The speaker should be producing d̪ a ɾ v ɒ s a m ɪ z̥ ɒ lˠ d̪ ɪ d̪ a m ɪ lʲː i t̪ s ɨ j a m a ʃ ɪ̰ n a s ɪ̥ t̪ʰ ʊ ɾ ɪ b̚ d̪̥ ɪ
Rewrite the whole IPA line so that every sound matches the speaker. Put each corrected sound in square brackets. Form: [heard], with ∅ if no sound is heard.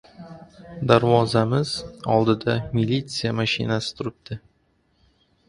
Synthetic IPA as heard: d̪ a ɾ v ɒ [z] a m ɪ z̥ ɒ lˠ d̪ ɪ d̪ a m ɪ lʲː i t̪ s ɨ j a m a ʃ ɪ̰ n a s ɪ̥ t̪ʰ ʊ ɾ ɪ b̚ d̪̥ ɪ